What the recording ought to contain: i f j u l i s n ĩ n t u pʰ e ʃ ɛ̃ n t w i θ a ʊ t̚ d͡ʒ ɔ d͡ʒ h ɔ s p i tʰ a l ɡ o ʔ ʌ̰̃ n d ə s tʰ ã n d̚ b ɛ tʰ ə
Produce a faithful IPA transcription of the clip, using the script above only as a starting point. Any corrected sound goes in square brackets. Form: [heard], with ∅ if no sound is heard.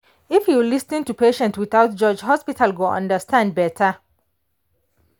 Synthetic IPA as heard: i f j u l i s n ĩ n t u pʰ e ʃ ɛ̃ n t w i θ a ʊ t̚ d͡ʒ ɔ d͡ʒ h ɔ s p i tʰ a l ɡ o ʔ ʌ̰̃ n d ə s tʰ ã n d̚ b ɛ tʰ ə